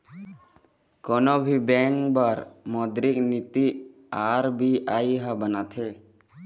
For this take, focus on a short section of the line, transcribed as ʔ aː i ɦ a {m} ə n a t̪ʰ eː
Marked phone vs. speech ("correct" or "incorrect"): incorrect